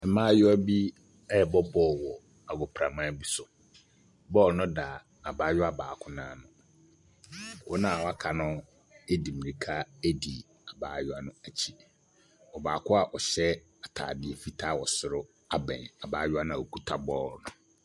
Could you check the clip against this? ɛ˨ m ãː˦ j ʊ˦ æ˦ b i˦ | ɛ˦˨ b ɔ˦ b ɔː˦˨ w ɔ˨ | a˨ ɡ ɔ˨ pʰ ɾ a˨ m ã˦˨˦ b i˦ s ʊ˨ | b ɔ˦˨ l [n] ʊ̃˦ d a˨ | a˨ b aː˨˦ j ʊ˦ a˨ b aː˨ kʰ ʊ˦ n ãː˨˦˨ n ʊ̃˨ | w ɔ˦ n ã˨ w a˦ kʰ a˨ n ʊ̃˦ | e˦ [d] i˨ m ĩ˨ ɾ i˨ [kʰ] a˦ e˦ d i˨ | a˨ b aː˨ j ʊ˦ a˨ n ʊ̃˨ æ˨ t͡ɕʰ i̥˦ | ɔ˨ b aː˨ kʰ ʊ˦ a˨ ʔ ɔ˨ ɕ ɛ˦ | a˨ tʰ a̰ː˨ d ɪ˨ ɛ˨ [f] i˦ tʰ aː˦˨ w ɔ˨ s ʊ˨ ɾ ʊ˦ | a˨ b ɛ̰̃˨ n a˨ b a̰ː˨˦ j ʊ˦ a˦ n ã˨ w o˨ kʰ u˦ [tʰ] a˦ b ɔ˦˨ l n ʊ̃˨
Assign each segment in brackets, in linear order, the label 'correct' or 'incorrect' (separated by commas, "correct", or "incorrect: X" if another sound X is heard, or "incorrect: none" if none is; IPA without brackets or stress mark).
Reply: correct, correct, correct, correct, correct